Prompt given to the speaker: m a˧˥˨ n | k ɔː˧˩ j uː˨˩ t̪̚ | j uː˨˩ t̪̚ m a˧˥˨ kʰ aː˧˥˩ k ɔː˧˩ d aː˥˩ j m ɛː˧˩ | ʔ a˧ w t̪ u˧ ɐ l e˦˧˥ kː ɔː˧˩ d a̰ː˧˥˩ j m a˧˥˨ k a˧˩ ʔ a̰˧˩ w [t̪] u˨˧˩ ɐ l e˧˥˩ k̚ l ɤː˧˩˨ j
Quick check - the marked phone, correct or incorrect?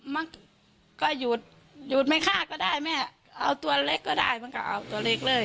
correct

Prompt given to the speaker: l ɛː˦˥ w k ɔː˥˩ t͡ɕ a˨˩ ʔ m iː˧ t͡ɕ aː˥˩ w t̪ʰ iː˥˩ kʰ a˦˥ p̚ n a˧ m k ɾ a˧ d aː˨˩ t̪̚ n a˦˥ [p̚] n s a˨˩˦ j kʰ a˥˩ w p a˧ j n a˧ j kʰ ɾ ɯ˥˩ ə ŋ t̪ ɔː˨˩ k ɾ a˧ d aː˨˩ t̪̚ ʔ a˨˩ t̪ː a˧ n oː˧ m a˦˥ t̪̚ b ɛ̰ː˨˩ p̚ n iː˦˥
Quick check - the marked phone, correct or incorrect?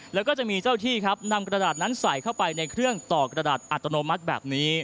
incorrect: none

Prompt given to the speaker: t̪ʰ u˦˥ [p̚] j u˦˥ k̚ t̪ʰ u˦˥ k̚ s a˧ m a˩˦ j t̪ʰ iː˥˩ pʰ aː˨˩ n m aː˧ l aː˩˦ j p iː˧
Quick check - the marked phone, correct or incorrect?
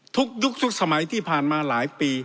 incorrect: k̚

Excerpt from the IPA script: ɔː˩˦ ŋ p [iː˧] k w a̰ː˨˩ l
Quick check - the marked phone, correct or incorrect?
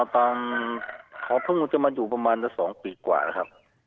correct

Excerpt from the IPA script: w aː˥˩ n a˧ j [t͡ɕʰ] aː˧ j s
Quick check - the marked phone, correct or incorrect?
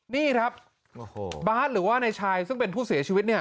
correct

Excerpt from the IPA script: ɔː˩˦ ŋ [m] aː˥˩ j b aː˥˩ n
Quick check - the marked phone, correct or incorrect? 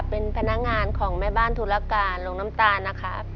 correct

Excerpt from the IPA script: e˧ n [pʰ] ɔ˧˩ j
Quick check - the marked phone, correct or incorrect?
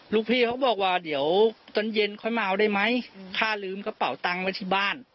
incorrect: kʰ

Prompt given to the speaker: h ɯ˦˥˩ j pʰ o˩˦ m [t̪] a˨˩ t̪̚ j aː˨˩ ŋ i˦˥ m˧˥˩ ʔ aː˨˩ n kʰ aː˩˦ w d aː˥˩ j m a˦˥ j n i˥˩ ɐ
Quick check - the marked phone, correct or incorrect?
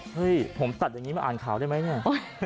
correct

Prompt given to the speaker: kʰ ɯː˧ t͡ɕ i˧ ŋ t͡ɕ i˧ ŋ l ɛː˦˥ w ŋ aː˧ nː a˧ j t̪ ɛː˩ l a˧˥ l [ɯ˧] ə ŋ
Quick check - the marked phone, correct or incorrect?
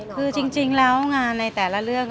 incorrect: ɯ˥˩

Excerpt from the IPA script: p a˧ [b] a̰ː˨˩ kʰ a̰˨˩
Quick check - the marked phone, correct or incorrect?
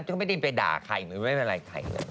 incorrect: d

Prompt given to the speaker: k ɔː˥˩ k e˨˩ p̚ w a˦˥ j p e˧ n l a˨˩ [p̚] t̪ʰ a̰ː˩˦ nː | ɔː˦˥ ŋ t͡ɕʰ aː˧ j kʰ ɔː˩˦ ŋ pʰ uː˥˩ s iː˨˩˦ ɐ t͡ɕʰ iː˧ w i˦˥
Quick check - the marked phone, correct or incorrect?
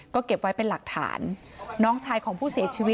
incorrect: k̚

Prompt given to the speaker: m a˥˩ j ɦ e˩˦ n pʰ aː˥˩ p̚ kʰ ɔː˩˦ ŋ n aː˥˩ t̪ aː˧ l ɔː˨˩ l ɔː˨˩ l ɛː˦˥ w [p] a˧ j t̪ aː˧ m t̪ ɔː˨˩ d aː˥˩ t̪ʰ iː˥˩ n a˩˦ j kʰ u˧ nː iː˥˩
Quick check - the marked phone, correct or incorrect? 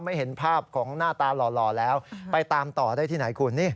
correct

